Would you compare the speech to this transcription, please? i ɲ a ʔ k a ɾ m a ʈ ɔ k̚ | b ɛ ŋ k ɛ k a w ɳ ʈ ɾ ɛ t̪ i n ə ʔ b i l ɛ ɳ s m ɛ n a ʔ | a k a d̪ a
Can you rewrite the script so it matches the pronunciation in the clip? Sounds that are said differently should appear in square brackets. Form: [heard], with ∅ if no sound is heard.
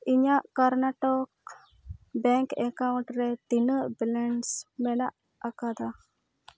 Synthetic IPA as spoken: i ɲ a ʔ k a ɾ [n] a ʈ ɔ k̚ | b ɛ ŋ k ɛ k a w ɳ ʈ ɾ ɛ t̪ i n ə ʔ b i l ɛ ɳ s m ɛ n a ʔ | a k a d̪ a